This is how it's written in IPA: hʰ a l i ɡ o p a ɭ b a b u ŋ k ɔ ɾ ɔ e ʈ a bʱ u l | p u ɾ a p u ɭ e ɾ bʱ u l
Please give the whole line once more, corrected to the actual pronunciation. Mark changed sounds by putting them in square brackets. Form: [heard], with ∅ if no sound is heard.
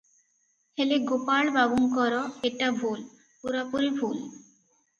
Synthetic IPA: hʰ [e] l [e] ɡ o p a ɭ b a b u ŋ k ɔ ɾ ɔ e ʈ a bʱ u l | p u ɾ a p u [ɾ] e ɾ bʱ u l